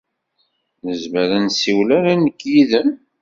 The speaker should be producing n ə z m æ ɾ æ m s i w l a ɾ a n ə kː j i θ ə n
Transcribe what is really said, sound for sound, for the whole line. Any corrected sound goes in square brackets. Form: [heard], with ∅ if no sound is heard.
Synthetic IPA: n ə z m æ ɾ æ [n] s i w l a ɾ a n ə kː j i [ð] ə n